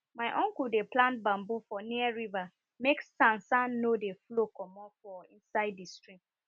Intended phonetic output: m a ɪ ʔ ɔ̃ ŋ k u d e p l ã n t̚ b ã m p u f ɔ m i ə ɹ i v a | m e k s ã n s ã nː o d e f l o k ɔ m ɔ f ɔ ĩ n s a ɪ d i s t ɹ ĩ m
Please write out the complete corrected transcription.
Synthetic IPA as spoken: m a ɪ ʔ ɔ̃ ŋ k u d e p l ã n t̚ b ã m b u f ɔ n i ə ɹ i v a | m e k s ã n s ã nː o d e f l o k ɔ m ɔ f ɔ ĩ n s a ɪ d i s t ɹ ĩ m